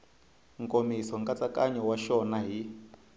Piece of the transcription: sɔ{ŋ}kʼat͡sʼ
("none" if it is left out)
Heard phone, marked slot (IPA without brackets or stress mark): ŋ